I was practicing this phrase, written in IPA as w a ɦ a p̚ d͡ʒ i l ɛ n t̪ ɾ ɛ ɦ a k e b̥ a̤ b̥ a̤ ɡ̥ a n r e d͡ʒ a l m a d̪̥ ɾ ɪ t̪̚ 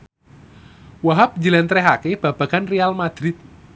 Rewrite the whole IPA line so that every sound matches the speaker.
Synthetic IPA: w a ɦ a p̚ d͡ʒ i l ɛ n t̪ ɾ ɛ ɦ a k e b̥ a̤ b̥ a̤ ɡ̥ a n r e a l m a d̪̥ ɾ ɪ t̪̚

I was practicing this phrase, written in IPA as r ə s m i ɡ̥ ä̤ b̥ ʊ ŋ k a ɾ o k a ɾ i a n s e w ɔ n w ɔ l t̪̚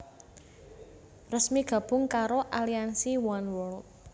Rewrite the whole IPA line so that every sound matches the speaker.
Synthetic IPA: r ə s m i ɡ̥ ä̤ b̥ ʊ ŋ k a ɾ o ʔ a l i a n s i w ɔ n w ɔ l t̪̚

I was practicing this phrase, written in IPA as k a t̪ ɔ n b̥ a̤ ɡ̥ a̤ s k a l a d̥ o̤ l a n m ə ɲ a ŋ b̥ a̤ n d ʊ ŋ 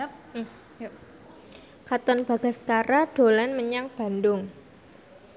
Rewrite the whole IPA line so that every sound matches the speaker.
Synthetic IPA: k a t̪ ɔ n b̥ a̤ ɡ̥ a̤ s k a ɾ a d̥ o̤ l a n m ə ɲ a ŋ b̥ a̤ n d ʊ ŋ

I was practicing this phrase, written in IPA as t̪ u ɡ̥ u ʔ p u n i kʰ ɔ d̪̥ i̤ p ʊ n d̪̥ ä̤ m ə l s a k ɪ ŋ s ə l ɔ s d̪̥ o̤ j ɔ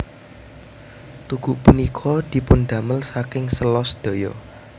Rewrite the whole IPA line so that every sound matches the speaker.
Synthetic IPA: t̪ u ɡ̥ u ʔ p u n i kʰ ɔ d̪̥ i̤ p ʊ n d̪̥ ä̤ m ə l s a k ɪ ŋ s ə l ɔ s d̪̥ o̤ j ɔ

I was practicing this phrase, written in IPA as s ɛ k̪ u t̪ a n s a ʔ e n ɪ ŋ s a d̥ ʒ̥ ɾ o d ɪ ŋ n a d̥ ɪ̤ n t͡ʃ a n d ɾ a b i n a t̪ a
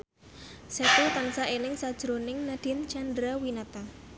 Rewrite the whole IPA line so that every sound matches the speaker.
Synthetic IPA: s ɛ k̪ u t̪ a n s a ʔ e n ɪ ŋ s a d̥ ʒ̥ ɾ o n ɪ ŋ n a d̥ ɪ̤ n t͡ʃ a n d ɾ a w i n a t̪ a

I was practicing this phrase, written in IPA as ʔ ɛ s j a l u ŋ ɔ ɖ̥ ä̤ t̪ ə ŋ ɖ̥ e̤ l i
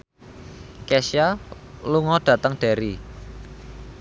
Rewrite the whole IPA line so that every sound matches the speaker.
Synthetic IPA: k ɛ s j a l u ŋ ɔ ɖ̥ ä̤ t̪ ə ŋ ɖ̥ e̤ ɾ i

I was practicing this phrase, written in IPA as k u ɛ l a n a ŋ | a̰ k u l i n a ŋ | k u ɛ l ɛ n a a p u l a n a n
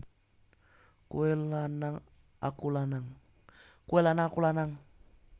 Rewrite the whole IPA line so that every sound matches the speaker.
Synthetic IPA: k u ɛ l a n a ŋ | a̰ k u l a n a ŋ | k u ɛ l a n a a k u l a n a ŋ

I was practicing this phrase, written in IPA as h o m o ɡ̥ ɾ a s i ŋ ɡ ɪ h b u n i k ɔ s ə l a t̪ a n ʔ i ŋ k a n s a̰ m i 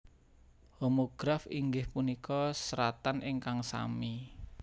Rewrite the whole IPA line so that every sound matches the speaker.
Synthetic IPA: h o m o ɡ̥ ɾ a f i ŋ ɡ ɪ h p u n i k ɔ s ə ɾ a t̪ a n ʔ ɪ ŋ k a ŋ s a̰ m i

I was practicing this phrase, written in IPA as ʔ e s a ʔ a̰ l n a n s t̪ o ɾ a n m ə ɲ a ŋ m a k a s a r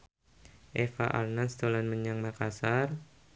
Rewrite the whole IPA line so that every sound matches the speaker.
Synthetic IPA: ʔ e f a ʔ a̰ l n a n s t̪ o l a n m ə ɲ a ŋ m a k a s a r

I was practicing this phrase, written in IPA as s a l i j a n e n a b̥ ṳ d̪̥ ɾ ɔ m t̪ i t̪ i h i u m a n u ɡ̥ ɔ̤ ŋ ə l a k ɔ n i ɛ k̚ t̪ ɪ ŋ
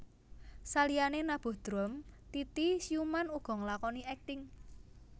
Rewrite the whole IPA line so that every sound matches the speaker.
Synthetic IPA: s a l i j a n e n a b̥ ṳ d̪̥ ɾ ɔ m t̪ i t̪ i s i u m a n u ɡ̥ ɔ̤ ŋ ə l a k ɔ n i ɛ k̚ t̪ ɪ ŋ

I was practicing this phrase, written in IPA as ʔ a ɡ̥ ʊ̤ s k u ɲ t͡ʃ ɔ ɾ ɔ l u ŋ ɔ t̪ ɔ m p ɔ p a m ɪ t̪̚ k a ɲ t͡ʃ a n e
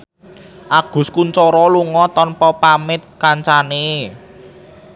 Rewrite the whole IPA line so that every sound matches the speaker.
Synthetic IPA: ʔ a ɡ̥ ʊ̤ s k u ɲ t͡ʃ ɔ ɾ ɔ l u ŋ ɔ t̪ ɔ n p ɔ p a m ɪ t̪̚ k a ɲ t͡ʃ a n e

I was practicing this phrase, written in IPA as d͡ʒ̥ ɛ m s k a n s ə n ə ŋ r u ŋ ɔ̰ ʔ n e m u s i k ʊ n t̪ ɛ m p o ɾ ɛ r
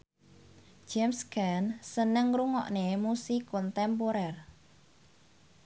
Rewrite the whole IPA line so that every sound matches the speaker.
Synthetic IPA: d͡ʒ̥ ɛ m s k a n s ə n ə ŋ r u ŋ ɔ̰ ʔ n e m u s i k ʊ n t̪ ɛ m p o ɾ ɛ r

